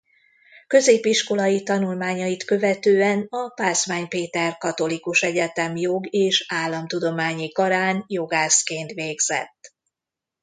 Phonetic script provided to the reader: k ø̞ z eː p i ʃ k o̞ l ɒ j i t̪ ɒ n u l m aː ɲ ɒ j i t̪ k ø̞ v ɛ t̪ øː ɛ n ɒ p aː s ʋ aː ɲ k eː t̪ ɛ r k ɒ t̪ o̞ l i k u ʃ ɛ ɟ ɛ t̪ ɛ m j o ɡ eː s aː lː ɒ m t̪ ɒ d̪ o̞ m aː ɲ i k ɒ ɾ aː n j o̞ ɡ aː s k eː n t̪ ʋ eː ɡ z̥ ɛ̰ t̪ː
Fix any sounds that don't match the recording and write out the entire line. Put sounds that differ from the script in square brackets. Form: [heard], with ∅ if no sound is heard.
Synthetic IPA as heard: k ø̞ z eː p i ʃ k o̞ l ɒ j i t̪ ɒ n u l m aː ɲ ɒ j i t̪ k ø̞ v ɛ t̪ øː ɛ n ɒ p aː s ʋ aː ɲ [p] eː t̪ ɛ r k ɒ t̪ o̞ l i k u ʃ ɛ ɟ ɛ t̪ ɛ m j o ɡ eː [ʃ] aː lː ɒ m t̪ [u] d̪ o̞ m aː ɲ i k ɒ ɾ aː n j o̞ ɡ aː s k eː n t̪ ʋ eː ɡ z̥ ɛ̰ t̪ː